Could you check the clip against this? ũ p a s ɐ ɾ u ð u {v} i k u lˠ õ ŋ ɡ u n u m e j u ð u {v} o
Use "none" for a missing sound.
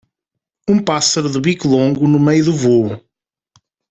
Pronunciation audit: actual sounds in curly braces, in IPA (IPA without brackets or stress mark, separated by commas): β, v